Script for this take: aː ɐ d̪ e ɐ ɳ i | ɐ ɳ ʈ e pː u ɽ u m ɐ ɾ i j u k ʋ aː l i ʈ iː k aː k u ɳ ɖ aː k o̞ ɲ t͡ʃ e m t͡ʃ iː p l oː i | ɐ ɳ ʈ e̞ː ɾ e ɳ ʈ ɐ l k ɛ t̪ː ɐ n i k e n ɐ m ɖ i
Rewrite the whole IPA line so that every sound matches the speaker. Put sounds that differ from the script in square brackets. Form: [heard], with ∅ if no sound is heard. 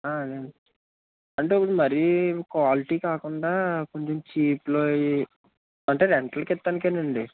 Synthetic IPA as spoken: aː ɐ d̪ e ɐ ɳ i | ɐ ɳ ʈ e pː u ɽ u m ɐ ɾ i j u k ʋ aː l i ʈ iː k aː k u ɳ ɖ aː k o̞ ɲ t͡ʃ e m t͡ʃ iː p l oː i | ɐ ɳ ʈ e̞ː ɾ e ɳ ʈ ɐ l k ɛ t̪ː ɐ n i k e n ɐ [ɳ] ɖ i

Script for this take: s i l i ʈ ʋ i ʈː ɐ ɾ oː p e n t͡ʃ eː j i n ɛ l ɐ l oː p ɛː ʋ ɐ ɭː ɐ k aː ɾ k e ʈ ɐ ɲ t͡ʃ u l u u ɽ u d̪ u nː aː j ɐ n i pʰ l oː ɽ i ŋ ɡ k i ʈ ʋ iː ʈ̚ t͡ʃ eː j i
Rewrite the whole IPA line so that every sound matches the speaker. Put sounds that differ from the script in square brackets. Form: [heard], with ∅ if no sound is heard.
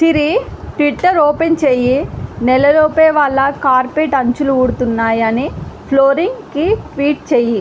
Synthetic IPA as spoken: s i [ɾ] i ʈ ʋ i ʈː ɐ ɾ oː p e n t͡ʃ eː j i n ɛ l ɐ l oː p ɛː ʋ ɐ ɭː ɐ k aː ɾ [p] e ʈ ɐ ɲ t͡ʃ u l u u ɽ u [t̪] u nː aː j ɐ n i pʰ l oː [ɾ] i ŋ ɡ k i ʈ ʋ iː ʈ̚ t͡ʃ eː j i

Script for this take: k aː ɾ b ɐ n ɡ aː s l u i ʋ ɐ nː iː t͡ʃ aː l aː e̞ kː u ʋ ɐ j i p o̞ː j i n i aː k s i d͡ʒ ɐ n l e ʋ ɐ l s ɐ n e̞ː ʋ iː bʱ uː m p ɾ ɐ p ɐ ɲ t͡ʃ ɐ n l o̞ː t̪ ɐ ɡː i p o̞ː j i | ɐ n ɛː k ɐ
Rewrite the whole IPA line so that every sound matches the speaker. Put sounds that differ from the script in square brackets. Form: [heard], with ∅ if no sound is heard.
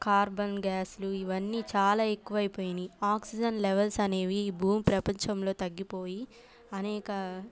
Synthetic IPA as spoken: k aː ɾ b ɐ n ɡ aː s l u i ʋ ɐ nː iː t͡ʃ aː l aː e̞ kː u ʋ ɐ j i p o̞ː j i n i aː k s i d͡ʒ ɐ n l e ʋ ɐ l s ɐ n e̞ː ʋ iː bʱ uː m p ɾ ɐ p ɐ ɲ t͡ʃ ɐ [m] l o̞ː t̪ ɐ ɡː i p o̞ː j i | ɐ n ɛː k ɐ

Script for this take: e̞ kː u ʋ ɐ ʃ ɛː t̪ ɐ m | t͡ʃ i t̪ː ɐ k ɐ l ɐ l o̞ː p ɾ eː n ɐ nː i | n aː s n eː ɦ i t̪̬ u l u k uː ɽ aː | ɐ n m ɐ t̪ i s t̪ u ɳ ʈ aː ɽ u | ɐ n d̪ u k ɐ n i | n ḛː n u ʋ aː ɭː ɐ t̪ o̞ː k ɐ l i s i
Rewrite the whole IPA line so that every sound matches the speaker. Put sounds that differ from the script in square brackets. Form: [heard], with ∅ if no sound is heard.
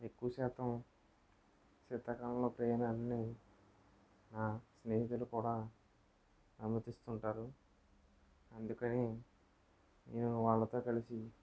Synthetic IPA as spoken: e̞ kː u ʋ ɐ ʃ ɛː t̪ ɐ m | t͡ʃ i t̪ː ɐ k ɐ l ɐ l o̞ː p ɾ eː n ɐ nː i | n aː s n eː ɦ i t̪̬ u l u k uː ɽ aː | ɐ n m ɐ t̪ i s t̪ u ɳ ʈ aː [ɾ] u | ɐ n d̪ u k ɐ n i | n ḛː n u ʋ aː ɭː ɐ t̪ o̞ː k ɐ l i s i

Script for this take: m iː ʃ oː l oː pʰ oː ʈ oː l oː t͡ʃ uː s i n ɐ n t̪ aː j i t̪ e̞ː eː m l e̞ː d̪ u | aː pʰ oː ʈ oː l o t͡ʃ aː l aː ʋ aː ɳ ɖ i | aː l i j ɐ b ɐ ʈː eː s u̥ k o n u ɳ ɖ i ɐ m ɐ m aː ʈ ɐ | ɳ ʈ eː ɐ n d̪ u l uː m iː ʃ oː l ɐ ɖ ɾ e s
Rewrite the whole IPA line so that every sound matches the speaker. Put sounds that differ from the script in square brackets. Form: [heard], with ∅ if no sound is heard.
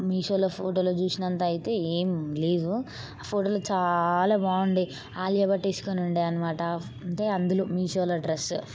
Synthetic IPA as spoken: m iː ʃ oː l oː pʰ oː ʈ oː l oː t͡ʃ uː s i n ɐ n t̪ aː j i t̪ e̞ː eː m l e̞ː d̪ u | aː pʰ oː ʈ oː l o t͡ʃ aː l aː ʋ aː ɳ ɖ i | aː l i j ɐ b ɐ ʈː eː s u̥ k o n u ɳ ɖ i ɐ [n] ɐ m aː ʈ ɐ | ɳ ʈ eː ɐ n d̪ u l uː m iː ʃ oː l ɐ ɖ ɾ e s

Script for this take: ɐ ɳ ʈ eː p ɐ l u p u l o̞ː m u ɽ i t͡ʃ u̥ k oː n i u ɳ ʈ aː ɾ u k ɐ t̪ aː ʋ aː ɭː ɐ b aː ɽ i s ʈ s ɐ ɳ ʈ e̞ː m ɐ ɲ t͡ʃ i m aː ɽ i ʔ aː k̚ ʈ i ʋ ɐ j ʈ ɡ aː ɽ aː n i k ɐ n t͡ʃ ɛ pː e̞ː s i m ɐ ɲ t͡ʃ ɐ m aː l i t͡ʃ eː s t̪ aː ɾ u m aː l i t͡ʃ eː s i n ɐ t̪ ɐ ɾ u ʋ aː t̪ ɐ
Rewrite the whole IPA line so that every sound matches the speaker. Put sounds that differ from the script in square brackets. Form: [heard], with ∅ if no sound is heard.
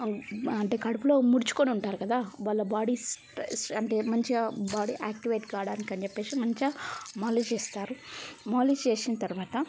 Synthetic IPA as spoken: ɐ ɳ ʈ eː [k] ɐ [ɽ] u p u l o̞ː m u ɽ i t͡ʃ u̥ k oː n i u ɳ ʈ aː ɾ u k ɐ [d̪] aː ʋ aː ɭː ɐ b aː ɽ i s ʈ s ɐ ɳ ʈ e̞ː m ɐ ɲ t͡ʃ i [b] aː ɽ i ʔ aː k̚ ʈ i ʋ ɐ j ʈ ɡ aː ɽ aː n i k ɐ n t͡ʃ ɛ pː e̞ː s i m ɐ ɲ t͡ʃ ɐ m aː l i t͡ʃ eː s t̪ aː ɾ u m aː l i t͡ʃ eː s i n ɐ t̪ ɐ ɾ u ʋ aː t̪ ɐ

